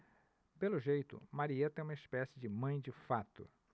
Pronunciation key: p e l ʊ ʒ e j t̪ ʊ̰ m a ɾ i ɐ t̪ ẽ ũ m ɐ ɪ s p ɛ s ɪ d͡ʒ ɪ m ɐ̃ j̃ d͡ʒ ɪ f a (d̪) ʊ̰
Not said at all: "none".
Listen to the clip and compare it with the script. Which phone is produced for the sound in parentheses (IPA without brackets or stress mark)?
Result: t̪